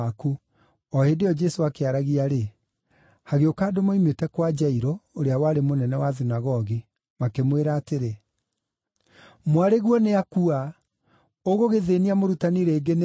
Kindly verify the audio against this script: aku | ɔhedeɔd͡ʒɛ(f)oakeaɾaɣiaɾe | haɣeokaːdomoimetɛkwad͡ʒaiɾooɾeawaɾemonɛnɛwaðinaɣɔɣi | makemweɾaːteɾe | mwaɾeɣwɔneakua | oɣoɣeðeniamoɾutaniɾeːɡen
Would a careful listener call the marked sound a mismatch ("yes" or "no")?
yes